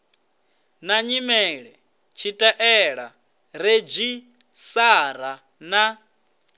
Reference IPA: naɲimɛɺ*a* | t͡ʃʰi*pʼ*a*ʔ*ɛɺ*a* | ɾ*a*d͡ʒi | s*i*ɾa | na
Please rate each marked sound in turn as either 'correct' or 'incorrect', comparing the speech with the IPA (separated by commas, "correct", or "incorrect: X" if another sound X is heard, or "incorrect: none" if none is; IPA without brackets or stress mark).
incorrect: ɛ, incorrect: tʼ, correct, correct, incorrect: e, incorrect: a